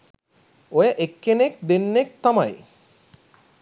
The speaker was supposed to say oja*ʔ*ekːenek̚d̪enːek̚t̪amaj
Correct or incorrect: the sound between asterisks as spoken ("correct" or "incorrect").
correct